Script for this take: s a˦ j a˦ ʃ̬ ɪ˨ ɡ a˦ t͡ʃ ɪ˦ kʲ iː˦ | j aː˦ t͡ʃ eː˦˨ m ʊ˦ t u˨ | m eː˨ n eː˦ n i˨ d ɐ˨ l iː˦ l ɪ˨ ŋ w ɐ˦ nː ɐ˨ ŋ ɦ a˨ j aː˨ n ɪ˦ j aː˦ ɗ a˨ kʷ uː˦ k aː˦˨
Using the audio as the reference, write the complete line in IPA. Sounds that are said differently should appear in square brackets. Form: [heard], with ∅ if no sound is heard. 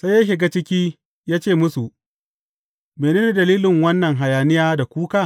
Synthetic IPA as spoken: s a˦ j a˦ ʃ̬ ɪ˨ ɡ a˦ t͡ʃ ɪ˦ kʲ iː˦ | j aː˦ t͡ʃ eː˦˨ m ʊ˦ [s] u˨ | m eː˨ n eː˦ n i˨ d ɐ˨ l iː˦ l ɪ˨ ŋ w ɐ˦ nː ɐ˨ ŋ ɦ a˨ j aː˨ n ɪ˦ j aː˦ [d] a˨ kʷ uː˦ k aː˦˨